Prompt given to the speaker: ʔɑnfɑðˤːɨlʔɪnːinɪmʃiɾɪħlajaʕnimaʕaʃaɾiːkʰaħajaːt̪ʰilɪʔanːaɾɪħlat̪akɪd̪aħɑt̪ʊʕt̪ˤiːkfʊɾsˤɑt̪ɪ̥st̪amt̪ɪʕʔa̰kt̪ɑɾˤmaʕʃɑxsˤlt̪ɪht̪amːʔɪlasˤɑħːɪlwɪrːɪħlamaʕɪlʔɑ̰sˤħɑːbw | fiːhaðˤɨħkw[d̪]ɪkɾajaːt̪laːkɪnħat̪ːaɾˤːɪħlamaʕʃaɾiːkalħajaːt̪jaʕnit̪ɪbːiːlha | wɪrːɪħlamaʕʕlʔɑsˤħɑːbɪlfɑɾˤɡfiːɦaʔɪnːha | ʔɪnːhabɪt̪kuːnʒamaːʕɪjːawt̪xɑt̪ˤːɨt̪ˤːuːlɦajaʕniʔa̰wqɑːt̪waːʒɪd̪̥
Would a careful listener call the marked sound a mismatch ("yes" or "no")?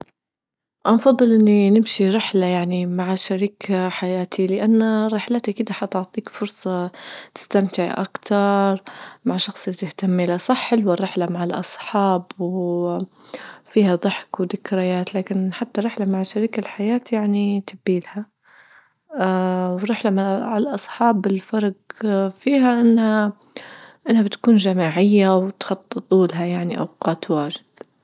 no